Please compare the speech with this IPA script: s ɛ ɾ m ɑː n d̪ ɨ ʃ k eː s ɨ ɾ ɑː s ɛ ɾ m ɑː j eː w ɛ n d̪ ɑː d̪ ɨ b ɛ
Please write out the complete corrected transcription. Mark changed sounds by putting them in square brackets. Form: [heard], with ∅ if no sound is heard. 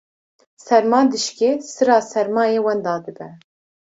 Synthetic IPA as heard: s ɛ ɾ m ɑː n d̪ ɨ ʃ k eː s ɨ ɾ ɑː s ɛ ɾ m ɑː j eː w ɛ n d̪ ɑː d̪ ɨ b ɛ

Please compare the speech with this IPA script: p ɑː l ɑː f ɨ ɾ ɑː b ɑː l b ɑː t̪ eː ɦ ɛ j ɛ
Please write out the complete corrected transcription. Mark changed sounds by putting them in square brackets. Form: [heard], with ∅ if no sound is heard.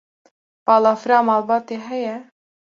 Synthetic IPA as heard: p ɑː l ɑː f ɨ ɾ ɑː [m] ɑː l b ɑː t̪ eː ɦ ɛ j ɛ

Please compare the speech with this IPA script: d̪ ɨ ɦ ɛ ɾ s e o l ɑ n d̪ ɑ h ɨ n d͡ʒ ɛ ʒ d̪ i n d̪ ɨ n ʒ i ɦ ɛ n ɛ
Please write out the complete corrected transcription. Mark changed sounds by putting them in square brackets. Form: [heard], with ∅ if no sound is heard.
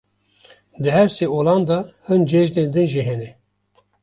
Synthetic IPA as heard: d̪ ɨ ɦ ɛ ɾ s e o l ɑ n d̪ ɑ h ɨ n d͡ʒ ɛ ʒ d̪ [e] n d̪ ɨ n ʒ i ɦ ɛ n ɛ

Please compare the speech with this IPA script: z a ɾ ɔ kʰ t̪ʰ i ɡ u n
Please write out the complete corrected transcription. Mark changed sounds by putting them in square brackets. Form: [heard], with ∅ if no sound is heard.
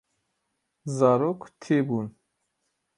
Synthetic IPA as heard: z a ɾ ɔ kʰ t̪ʰ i [b] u n

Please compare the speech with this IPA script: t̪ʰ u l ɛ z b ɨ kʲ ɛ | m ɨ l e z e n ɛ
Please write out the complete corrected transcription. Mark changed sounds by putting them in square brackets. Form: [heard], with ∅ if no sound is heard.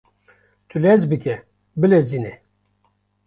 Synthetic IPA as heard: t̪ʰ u l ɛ z b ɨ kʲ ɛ | [b] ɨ l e z [i] n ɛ

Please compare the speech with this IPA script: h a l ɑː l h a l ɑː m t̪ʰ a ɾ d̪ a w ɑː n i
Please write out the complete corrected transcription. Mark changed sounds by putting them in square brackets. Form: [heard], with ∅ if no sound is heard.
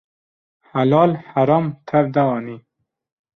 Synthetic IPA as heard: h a l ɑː l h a [ɾ] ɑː m t̪ʰ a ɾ d̪ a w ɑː n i

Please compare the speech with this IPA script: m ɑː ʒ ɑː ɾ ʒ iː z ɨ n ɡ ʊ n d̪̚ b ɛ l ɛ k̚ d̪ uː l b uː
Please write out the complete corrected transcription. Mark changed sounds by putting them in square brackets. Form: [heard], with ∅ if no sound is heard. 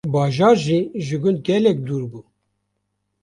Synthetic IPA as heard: [b] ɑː ʒ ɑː ɾ ʒ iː [ʒ] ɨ [∅] ɡ ʊ n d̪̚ [ɡ] ɛ l ɛ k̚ d̪ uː [ɾ] b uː

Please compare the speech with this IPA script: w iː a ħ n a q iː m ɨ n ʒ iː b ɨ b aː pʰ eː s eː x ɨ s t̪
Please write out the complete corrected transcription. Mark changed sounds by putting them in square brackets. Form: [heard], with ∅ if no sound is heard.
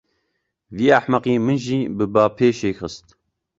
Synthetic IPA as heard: [v] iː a ħ [m] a q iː m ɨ n ʒ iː b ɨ b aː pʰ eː [ʃ] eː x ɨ s t̪

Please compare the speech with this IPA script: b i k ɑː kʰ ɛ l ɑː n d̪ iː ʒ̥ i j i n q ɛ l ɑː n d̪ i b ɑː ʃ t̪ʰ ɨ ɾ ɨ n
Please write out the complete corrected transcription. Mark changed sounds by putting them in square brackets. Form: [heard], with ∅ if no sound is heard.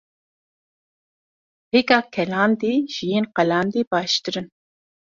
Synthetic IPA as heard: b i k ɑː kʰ ɛ l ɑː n d̪ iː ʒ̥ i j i n q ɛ l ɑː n d̪ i b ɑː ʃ [t̪] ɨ ɾ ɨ n

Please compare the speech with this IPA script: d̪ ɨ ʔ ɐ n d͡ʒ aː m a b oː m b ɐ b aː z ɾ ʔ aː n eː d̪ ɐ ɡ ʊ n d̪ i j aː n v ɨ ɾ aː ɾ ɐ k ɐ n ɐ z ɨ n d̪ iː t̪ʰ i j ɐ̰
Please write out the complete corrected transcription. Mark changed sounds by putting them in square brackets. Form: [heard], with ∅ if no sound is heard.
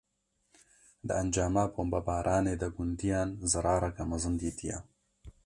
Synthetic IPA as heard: d̪ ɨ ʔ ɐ n d͡ʒ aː m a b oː m b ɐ b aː [∅] ɾ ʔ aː n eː d̪ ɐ ɡ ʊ n d̪ i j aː n [z] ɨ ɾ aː ɾ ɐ k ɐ [m] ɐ z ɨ n d̪ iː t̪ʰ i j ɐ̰

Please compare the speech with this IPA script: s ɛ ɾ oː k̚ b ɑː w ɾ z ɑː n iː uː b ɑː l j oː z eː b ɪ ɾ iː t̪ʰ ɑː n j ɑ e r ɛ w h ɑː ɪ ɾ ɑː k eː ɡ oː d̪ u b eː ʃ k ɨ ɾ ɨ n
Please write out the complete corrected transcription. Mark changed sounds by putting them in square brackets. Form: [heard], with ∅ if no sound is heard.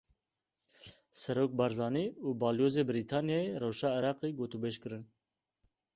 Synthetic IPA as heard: s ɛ ɾ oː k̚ b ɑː [∅] ɾ z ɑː n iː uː b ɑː l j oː z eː b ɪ ɾ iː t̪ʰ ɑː n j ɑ e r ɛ w [ʃ] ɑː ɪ ɾ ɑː [q] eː ɡ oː [t̪] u b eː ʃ k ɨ ɾ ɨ n

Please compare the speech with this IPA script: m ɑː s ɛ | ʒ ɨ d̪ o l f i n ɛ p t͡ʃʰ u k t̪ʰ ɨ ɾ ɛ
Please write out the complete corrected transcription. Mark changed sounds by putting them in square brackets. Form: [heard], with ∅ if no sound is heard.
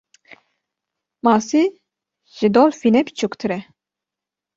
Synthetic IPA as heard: m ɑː s [i] | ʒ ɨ d̪ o l f i n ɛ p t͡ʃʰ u k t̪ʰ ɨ ɾ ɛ

